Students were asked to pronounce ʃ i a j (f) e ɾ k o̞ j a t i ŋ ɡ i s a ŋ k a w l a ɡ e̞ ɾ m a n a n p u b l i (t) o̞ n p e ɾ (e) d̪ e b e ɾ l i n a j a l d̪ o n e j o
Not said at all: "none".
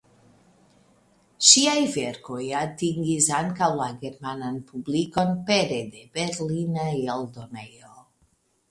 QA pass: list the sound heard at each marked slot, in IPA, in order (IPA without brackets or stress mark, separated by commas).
v, k, e